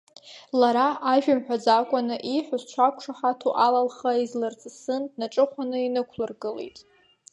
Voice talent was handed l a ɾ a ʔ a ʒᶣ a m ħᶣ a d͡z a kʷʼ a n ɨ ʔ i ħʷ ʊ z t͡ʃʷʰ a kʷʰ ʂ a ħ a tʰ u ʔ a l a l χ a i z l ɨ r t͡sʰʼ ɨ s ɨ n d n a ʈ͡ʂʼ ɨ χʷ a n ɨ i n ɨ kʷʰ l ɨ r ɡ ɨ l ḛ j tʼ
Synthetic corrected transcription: l a ɾ a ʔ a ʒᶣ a m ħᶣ a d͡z a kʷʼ a n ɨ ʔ i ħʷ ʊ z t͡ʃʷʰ a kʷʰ ʂ a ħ a tʰ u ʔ a l a l χ a i z l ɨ r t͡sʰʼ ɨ s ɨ n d n a ʈ͡ʂʼ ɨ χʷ a n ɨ i n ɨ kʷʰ l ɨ r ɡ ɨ l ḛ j tʼ